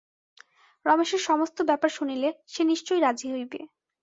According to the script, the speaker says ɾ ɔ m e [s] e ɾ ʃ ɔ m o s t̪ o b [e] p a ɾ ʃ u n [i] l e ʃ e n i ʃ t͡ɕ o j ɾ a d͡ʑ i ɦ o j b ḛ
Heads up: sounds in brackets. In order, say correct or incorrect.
incorrect: ʃ, incorrect: ɛ, correct

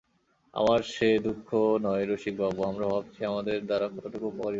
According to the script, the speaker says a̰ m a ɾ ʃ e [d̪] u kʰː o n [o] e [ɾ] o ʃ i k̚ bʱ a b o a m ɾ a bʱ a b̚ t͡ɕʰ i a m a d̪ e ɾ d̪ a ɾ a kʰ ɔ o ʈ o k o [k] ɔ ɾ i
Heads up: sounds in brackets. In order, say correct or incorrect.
correct, incorrect: ɔ, correct, incorrect: p

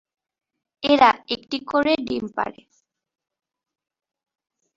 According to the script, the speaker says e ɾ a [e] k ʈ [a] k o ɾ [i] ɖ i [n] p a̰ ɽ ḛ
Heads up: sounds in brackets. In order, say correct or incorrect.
correct, incorrect: i, incorrect: e, incorrect: m

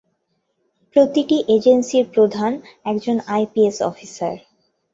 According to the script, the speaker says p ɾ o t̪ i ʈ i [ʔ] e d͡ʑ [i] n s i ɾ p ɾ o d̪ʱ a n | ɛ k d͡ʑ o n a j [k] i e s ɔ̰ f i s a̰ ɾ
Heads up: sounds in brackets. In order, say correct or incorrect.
correct, incorrect: e, incorrect: p

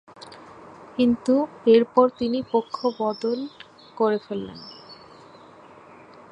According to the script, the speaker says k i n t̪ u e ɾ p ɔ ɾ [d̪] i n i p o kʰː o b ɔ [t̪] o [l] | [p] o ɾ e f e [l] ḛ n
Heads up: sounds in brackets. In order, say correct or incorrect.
incorrect: t̪, incorrect: d̪, correct, incorrect: k, incorrect: lː

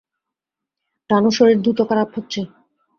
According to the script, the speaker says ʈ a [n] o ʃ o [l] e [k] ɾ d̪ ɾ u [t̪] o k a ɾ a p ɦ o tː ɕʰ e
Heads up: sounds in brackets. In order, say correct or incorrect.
correct, incorrect: ɾ, incorrect: none, correct

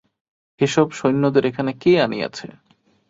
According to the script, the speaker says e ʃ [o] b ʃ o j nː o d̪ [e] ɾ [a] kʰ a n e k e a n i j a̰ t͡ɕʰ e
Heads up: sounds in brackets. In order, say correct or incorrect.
incorrect: ɔ, correct, incorrect: e

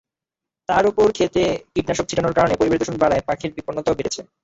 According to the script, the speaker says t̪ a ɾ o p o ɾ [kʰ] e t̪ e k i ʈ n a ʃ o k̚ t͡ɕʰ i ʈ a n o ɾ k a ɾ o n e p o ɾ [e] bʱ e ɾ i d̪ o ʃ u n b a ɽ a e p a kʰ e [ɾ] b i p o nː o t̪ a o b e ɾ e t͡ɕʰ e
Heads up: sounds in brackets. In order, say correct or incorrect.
correct, incorrect: i, correct

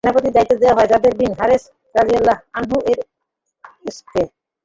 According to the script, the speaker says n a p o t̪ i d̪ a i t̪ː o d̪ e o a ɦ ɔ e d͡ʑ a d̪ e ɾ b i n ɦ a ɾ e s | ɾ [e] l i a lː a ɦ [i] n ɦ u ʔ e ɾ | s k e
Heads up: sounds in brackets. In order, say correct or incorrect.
incorrect: a, incorrect: a

